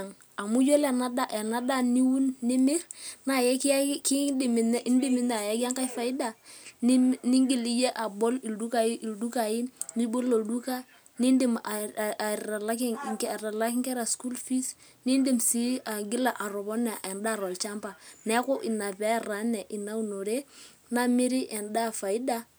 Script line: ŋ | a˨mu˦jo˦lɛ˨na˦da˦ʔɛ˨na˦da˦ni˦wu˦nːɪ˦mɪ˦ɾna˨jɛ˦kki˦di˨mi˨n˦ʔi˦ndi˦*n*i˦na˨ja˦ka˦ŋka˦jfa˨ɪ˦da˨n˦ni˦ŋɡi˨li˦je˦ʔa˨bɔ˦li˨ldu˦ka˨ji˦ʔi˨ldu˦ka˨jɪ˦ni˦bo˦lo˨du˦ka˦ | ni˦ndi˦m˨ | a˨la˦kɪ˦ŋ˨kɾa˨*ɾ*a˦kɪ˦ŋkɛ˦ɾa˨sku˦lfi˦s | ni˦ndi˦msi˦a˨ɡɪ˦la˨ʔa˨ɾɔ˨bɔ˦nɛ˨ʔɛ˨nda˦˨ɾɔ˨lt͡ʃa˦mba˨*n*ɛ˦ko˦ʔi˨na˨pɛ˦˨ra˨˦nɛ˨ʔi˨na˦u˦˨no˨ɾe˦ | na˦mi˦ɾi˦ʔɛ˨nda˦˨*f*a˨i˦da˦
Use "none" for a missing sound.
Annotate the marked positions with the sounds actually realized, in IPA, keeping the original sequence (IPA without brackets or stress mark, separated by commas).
m, l, n, f